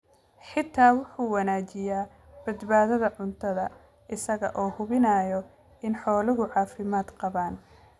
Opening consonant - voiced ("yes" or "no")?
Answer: no